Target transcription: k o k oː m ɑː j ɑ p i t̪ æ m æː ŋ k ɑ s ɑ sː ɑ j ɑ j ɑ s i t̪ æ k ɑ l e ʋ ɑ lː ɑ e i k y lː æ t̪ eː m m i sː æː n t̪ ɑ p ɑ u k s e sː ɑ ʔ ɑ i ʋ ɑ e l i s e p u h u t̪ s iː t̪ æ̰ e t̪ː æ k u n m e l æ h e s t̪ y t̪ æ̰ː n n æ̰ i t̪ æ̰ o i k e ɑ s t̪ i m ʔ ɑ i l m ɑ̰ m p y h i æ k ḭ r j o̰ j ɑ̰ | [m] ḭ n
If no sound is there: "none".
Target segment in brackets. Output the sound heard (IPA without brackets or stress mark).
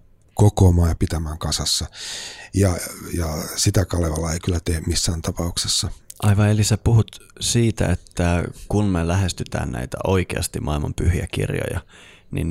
n